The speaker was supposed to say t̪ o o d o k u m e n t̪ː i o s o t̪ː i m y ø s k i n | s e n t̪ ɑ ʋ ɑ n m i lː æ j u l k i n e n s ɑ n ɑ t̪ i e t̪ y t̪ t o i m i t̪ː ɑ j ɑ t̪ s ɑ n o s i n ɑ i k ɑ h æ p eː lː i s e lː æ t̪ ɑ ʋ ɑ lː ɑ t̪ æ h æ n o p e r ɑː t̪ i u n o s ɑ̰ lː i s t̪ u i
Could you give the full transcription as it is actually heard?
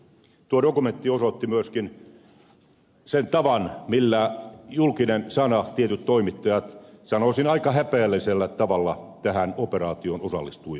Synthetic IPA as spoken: t̪ u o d o k u m e n t̪ː i o s o t̪ː i m y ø s k i n | s e n t̪ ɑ ʋ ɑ n m i lː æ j u l k i n e n s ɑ n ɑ t̪ i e t̪ y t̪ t o i m i t̪ː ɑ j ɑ t̪ s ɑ n o s i n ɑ i k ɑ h æ p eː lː i s e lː æ t̪ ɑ ʋ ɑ lː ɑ t̪ æ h æ n o p e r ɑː t̪ i o n o s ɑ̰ lː i s t̪ u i